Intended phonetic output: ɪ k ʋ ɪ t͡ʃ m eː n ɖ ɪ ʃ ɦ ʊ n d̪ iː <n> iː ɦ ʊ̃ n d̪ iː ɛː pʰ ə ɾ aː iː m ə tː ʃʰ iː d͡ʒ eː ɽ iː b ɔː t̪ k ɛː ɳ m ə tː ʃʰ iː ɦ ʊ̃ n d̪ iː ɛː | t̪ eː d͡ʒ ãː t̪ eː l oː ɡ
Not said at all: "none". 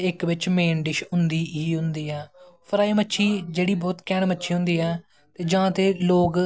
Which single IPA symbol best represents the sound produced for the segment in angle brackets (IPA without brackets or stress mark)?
none